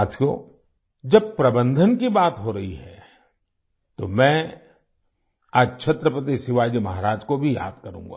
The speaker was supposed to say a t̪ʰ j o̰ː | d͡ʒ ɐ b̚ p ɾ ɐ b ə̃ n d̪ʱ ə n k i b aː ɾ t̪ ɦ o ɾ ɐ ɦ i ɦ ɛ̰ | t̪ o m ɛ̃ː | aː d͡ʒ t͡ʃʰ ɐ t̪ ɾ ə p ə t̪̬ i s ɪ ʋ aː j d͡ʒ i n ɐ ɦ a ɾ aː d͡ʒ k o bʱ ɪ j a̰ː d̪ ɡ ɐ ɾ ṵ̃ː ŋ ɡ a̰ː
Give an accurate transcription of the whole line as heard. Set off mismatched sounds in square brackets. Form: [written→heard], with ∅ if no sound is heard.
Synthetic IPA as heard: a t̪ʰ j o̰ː | d͡ʒ ɐ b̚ p ɾ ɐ b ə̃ n d̪ʱ ə n k i b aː [ɾ→∅] t̪ ɦ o ɾ ɐ ɦ i ɦ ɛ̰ | t̪ o m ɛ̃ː | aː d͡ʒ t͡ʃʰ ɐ t̪ ɾ ə p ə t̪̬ i s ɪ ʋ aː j d͡ʒ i [n→m] ɐ ɦ a ɾ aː d͡ʒ k o bʱ [ɪ→i] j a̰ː d̪ [ɡ→k] ɐ ɾ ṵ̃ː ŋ ɡ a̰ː